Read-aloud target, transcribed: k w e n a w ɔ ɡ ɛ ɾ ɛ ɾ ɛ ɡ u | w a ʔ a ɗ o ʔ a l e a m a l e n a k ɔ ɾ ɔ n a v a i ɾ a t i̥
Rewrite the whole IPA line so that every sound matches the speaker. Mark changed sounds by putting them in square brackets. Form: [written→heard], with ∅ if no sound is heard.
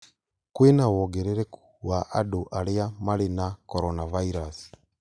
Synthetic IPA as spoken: k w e n a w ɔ ɡ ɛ ɾ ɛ ɾ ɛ [ɡ→k] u | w a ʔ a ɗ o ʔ a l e a m a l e n a k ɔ ɾ ɔ n a v a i ɾ a [t→s] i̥